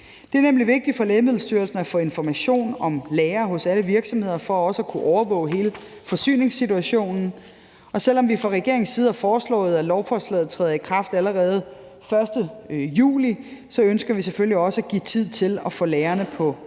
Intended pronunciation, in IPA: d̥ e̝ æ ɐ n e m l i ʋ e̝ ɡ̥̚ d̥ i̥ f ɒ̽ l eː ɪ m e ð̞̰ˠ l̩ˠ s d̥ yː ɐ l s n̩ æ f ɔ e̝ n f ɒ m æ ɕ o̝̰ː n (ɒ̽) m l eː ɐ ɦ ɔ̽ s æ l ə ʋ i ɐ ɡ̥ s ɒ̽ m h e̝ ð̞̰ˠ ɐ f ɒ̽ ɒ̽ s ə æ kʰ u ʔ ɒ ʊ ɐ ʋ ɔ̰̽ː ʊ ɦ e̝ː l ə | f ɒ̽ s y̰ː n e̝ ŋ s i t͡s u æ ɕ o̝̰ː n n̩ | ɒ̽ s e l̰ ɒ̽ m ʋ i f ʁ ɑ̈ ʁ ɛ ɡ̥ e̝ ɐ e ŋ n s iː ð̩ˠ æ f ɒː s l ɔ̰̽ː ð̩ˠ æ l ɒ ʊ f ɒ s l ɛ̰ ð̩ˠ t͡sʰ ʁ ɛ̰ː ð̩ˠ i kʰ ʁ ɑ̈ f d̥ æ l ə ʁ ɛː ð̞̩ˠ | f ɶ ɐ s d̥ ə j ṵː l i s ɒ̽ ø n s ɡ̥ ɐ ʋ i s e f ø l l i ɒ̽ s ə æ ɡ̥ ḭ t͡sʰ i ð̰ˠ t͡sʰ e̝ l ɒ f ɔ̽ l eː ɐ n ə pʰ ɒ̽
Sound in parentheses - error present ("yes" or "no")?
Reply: no